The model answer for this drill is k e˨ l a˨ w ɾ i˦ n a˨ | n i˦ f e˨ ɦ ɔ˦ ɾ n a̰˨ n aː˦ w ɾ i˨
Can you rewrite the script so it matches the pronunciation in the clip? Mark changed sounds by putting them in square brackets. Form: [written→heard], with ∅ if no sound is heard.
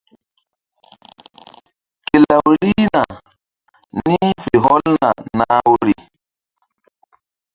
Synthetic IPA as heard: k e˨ l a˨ w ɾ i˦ n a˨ | n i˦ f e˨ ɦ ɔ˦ [ɾ→l] n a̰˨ n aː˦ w ɾ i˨